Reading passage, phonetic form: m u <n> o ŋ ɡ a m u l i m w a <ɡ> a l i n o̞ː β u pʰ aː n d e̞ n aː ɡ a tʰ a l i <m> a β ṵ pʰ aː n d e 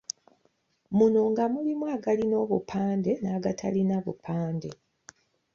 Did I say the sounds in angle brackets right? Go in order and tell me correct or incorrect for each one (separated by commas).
correct, correct, incorrect